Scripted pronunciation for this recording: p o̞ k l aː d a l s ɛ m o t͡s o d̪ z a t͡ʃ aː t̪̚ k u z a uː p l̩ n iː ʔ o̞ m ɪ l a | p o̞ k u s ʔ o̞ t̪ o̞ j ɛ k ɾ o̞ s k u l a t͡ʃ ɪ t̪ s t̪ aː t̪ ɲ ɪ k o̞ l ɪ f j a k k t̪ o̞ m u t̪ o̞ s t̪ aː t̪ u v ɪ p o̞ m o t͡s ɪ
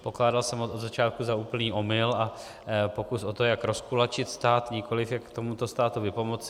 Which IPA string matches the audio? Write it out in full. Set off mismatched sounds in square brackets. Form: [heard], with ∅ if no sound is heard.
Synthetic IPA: p o̞ k l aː d a l s ɛ m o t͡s o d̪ z a t͡ʃ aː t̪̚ k u z a uː p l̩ n iː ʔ o̞ m ɪ l a | p o̞ k u s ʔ o̞ t̪ o̞ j [a] k ɾ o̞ s k u l a t͡ʃ ɪ t̪ s t̪ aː t̪ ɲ ɪ k o̞ l ɪ f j a k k t̪ o̞ m u t̪ o̞ s t̪ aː t̪ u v ɪ p o̞ m o t͡s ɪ

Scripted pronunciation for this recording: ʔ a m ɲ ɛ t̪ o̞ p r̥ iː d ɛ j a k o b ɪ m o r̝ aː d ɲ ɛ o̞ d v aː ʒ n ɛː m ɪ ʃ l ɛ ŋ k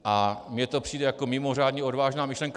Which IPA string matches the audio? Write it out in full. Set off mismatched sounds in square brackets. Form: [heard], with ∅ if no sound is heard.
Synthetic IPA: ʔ a m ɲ ɛ t̪ o̞ p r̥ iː d ɛ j a k o [m] ɪ m o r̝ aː d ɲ ɛ o̞ d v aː ʒ n [aː] m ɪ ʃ l ɛ ŋ k

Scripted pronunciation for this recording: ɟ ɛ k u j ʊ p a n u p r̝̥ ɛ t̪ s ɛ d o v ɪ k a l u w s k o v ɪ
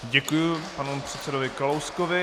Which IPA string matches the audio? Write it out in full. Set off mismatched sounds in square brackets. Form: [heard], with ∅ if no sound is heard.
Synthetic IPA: ɟ ɛ k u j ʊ p a n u p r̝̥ ɛ t̪ s ɛ d o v ɪ k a l [o] w s k o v ɪ

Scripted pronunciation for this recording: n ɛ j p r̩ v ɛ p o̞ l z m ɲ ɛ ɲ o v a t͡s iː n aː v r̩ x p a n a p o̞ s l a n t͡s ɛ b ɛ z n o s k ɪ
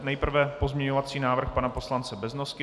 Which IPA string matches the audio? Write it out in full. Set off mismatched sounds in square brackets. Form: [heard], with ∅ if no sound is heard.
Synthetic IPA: n ɛ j p r̩ v ɛ p o̞ [∅] z m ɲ ɛ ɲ o v a t͡s iː n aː v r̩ x p a n a p o̞ s l a n t͡s ɛ b ɛ z n o s k ɪ

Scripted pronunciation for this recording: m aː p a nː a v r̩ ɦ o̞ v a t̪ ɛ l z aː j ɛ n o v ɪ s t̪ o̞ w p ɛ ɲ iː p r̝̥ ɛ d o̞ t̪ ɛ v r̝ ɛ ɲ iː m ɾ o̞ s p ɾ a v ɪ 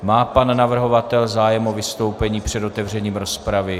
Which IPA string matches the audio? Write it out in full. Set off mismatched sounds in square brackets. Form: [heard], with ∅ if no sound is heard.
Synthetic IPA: m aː p a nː a v r̩ ɦ o̞ v a t̪ ɛ l z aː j ɛ [m] o v ɪ s t̪ o̞ w p ɛ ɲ iː p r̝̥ ɛ d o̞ t̪ ɛ v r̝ ɛ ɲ iː m ɾ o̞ s p ɾ a v ɪ

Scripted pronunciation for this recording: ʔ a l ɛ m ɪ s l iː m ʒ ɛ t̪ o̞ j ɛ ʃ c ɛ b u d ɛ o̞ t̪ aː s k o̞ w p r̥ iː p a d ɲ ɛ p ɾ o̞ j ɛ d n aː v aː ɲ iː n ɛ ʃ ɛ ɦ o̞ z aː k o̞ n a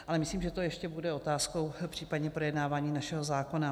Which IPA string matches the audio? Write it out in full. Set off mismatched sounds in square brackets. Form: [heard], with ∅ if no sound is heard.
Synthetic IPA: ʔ a l ɛ m ɪ s l iː m ʒ ɛ t̪ o̞ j ɛ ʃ c ɛ b u d ɛ o̞ t̪ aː s k o̞ w p r̥ iː p a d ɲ ɛ p ɾ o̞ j ɛ d n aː v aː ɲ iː n [a] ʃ ɛ ɦ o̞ z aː k o̞ n a

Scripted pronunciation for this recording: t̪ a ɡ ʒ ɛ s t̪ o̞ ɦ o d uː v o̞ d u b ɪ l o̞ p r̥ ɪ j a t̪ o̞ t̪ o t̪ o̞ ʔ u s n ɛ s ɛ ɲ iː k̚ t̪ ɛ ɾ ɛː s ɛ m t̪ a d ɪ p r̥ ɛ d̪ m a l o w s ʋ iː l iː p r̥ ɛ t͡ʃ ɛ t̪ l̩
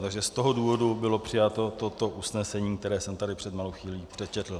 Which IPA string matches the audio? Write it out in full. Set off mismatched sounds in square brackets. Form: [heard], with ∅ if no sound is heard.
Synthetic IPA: t̪ a ɡ ʒ ɛ s t̪ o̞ ɦ o d uː v o̞ d u b ɪ l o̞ p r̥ ɪ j a t̪ o̞ t̪ o t̪ o̞ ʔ u s n ɛ s ɛ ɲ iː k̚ t̪ ɛ ɾ ɛː s ɛ m t̪ a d ɪ p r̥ ɛ d̪ m a l o w [x] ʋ iː l iː p r̥ ɛ t͡ʃ ɛ t̪ l̩

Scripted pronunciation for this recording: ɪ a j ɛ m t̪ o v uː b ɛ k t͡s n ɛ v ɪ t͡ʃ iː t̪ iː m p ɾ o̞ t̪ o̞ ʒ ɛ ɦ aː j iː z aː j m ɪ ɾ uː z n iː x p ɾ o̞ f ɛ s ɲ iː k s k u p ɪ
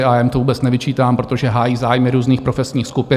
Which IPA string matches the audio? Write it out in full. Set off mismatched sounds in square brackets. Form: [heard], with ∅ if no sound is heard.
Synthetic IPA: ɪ a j ɛ m t̪ o v uː b ɛ [∅] t͡s n ɛ v ɪ t͡ʃ iː t̪ [aː] m p ɾ o̞ t̪ o̞ ʒ ɛ ɦ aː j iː z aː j m ɪ ɾ uː z n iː x p ɾ o̞ f ɛ s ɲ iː [x] s k u p ɪ

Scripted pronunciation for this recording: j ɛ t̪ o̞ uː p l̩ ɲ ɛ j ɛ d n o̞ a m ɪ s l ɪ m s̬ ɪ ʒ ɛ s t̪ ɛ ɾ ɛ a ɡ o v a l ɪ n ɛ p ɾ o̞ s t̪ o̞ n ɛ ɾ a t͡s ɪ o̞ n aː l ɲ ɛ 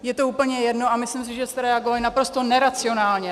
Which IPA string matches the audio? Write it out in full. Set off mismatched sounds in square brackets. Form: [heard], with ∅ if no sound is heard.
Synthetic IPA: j ɛ t̪ o̞ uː p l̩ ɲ ɛ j ɛ d n o̞ a m ɪ s l ɪ m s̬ ɪ ʒ ɛ s t̪ ɛ ɾ ɛ a ɡ o v a l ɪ n [a] p ɾ o̞ s t̪ o̞ n ɛ ɾ a t͡s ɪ o̞ n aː l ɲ ɛ

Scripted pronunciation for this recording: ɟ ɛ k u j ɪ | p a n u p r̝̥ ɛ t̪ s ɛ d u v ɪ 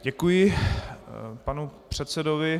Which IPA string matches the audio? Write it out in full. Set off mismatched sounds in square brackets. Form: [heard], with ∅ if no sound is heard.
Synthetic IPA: ɟ ɛ k u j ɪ | p a n u p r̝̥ ɛ t̪ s ɛ d [o] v ɪ

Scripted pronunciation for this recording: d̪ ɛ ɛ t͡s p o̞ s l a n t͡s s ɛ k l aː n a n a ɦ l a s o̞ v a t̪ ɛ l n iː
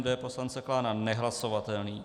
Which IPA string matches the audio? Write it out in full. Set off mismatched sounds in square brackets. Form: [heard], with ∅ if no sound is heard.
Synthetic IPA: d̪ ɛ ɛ [∅] p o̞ s l a n t͡s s ɛ k l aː n a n [ɛ] ɦ l a s o̞ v a t̪ ɛ l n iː

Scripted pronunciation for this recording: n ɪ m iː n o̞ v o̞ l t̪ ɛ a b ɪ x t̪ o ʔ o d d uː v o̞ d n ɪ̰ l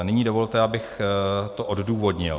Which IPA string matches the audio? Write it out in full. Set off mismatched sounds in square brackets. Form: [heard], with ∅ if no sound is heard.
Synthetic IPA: n ɪ [ɲ] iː [d] o̞ v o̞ l t̪ ɛ a b ɪ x t̪ o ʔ o d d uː v o̞ d [ɲ] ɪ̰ l

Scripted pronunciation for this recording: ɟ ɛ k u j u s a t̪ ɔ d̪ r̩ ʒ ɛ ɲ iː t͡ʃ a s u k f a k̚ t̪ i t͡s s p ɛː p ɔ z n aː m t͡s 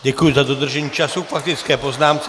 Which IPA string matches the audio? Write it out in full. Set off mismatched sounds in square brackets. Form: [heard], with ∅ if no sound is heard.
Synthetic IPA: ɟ ɛ k u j u [z] a [d̪] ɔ d̪ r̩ ʒ ɛ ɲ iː t͡ʃ a s u k f a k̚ t̪ i t͡s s [k] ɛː p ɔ z n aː m t͡s

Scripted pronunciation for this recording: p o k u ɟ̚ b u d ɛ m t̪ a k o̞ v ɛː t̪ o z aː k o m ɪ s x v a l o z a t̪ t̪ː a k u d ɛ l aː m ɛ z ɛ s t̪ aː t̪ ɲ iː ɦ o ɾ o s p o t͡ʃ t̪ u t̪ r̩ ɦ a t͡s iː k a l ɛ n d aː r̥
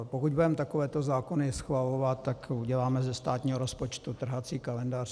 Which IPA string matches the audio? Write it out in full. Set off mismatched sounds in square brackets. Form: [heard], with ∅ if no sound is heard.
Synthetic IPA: p o k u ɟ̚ b u d ɛ m t̪ a k o̞ v ɛː t̪ o z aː k o [n] ɪ s x v a l o [v] a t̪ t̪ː a k u [ɟ] ɛ l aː m ɛ z ɛ s t̪ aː t̪ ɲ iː ɦ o ɾ o s p o t͡ʃ t̪ u t̪ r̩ ɦ a t͡s iː k a l ɛ n d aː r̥

